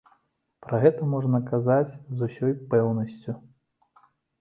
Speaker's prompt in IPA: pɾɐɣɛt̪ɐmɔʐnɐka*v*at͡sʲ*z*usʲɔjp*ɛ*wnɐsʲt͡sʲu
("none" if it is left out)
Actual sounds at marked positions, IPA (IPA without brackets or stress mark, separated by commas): z, z, ɛ